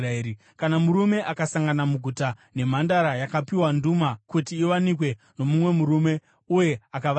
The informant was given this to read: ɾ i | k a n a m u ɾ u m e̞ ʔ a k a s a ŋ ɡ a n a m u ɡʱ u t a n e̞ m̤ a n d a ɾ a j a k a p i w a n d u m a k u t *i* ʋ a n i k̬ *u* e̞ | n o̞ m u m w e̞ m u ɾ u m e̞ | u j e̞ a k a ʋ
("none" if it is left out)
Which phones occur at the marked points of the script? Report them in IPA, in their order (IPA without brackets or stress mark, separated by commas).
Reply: iː, w